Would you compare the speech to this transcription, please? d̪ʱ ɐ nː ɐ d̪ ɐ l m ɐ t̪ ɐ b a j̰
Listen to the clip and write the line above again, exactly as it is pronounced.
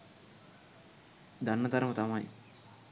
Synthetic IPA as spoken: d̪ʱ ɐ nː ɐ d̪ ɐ ɾ m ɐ t̪ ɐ m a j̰